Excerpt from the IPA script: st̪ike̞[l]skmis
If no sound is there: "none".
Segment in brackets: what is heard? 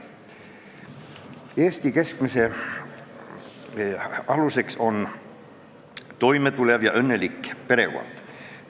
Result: none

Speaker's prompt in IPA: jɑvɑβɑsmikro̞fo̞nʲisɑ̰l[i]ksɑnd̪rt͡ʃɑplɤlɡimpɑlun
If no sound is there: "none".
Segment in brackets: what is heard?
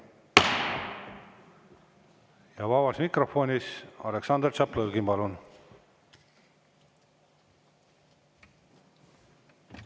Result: e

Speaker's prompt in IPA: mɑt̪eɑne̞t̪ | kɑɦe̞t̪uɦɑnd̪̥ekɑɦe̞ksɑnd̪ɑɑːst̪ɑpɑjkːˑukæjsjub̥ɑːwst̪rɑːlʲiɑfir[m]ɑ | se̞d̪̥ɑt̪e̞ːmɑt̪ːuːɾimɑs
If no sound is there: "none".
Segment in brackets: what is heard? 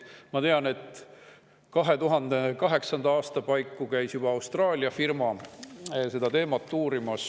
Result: m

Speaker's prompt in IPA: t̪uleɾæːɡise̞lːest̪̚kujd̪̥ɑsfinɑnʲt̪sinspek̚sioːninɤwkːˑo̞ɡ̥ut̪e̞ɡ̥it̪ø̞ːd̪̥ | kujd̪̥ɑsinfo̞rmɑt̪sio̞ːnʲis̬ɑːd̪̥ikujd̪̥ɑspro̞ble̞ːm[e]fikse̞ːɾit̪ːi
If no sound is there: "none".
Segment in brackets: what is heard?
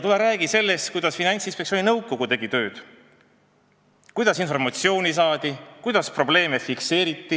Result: e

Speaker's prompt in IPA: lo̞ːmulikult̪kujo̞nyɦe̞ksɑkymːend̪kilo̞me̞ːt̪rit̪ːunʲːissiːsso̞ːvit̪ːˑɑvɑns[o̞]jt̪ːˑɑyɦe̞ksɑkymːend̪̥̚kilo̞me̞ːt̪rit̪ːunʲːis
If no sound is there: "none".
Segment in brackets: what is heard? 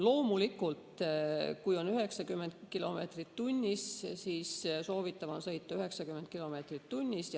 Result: ɤ̞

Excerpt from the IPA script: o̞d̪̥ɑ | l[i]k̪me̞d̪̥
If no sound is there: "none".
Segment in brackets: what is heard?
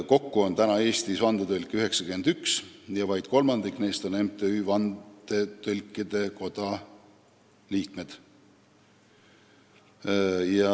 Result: iː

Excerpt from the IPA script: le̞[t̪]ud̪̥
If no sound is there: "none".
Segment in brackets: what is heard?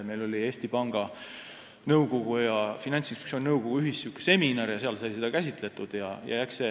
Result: t̪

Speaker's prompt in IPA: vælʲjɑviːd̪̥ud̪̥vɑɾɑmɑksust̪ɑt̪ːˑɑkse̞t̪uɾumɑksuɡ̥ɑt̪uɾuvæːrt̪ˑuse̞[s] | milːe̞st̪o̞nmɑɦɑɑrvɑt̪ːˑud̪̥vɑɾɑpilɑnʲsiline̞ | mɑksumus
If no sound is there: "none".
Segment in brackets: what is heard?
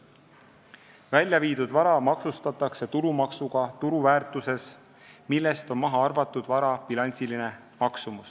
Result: s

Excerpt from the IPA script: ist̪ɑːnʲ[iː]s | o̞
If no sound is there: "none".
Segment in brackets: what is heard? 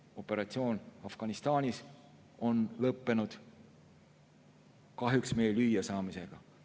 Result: i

